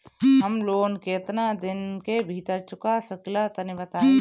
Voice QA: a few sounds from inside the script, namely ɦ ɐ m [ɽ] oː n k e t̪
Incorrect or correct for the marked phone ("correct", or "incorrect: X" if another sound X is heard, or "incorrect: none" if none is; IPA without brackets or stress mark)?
incorrect: l